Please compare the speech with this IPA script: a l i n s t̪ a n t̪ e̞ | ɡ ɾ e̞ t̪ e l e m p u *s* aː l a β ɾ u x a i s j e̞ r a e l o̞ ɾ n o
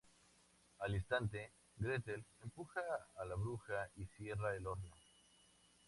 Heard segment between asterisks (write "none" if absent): x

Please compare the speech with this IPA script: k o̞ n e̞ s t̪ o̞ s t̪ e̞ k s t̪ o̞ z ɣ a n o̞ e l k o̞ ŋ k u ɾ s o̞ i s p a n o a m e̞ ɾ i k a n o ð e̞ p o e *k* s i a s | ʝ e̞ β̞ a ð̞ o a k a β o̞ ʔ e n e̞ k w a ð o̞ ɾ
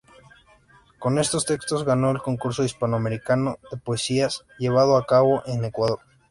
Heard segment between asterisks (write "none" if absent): none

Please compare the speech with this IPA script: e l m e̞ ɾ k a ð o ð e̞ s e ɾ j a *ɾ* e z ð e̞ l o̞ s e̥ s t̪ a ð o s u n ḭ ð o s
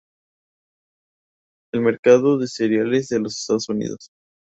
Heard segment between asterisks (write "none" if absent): l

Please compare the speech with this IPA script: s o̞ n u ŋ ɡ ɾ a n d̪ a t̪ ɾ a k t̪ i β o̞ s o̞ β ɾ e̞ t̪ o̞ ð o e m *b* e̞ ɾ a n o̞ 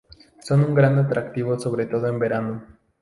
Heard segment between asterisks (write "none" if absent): b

